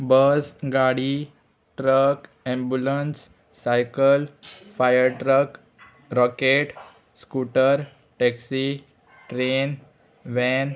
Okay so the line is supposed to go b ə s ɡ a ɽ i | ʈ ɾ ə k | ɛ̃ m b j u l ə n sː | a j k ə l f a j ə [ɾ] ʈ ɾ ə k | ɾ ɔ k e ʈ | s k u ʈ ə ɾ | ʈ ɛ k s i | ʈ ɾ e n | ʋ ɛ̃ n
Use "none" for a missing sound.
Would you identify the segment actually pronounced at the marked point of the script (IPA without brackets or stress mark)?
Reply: ɾ